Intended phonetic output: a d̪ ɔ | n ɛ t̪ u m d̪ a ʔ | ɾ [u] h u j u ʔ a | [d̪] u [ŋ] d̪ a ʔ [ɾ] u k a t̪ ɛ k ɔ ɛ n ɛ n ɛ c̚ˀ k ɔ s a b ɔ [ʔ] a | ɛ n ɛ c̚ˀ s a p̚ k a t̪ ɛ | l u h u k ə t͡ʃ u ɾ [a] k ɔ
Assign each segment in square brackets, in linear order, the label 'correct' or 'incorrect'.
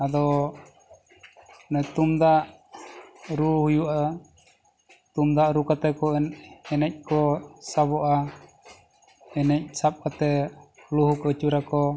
correct, incorrect: t̪, incorrect: m, correct, correct, correct

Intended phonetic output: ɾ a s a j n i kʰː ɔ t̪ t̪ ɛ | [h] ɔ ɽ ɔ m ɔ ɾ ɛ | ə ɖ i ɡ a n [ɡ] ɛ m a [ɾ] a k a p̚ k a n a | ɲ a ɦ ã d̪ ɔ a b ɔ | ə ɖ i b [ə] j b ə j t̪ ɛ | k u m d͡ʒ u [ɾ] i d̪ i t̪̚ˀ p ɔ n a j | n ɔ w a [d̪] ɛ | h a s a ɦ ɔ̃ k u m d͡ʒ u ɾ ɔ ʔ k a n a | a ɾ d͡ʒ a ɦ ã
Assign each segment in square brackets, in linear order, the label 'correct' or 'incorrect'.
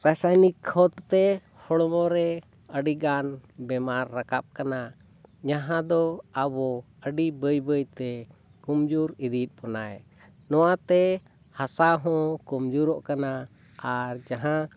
correct, incorrect: b, incorrect: ɾː, correct, correct, incorrect: t̪

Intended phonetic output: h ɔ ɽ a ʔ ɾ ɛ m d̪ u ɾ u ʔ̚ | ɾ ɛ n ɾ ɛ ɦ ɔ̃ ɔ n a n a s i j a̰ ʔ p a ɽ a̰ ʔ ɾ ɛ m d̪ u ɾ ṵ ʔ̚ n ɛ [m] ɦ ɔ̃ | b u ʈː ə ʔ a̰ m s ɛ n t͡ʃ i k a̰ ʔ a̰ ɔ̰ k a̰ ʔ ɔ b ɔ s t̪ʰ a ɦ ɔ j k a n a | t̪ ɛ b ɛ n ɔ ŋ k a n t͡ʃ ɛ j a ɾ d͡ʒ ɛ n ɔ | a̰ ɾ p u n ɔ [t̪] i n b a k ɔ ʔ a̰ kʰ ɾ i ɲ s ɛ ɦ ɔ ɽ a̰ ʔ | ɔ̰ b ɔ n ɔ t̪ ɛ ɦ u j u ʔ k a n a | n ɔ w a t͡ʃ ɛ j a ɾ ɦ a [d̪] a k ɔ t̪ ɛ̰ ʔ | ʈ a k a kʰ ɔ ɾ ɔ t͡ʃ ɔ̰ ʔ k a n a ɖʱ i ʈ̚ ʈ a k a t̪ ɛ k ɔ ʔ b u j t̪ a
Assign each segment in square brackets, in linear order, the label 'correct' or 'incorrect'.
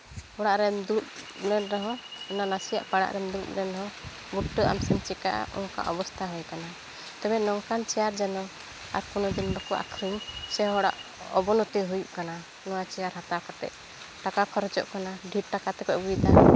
incorrect: n, incorrect: d̪, incorrect: t̪

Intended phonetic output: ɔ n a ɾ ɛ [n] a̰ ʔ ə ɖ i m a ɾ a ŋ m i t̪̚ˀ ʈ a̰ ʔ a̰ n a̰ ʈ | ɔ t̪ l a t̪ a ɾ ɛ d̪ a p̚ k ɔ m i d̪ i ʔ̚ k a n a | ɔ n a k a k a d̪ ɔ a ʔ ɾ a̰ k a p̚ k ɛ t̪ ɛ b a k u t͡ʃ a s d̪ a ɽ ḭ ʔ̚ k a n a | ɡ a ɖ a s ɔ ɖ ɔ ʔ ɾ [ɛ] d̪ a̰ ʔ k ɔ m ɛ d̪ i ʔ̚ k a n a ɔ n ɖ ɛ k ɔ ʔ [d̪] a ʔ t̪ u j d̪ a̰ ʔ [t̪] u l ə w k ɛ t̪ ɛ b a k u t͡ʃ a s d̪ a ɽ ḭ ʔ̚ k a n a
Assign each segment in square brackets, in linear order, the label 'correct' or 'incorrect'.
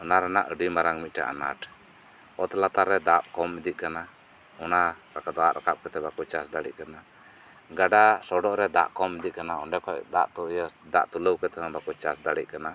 correct, correct, correct, correct

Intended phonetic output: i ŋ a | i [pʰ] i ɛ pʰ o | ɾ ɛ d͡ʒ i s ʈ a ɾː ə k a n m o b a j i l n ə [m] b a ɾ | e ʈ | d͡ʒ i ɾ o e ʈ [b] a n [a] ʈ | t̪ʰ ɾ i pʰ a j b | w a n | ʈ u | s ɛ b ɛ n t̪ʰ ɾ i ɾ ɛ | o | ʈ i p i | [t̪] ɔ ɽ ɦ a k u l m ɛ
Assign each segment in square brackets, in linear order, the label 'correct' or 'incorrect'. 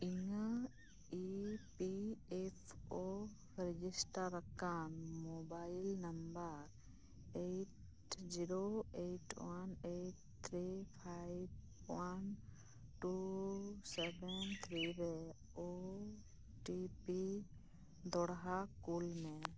incorrect: p, correct, incorrect: w, incorrect: e, incorrect: d̪

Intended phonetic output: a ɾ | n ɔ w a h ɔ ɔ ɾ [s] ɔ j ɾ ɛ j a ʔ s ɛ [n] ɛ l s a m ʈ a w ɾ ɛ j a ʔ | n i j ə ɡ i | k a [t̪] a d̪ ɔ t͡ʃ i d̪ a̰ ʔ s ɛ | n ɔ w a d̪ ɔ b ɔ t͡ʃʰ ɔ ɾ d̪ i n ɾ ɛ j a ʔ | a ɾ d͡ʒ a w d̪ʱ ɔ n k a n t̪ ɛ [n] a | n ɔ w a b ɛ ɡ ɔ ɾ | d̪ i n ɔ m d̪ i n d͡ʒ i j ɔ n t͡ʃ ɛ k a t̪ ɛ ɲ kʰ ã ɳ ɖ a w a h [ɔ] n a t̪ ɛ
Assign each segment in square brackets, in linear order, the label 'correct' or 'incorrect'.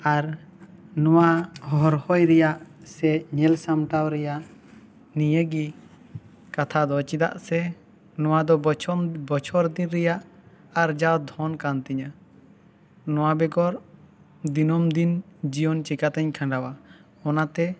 incorrect: h, incorrect: ɲ, incorrect: t̪ʰ, incorrect: ɲ, correct

